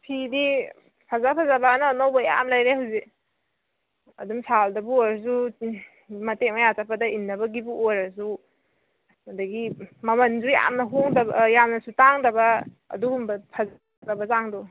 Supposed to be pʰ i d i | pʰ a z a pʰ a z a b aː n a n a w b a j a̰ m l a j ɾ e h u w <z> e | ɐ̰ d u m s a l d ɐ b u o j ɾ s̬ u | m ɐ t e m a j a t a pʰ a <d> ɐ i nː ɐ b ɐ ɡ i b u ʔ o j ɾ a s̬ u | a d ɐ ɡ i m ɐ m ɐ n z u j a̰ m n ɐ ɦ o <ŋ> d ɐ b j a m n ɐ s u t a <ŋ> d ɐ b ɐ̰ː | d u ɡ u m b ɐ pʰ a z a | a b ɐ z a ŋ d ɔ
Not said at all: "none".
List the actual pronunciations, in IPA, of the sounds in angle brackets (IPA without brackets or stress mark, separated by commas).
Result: z, d, ŋ, ŋ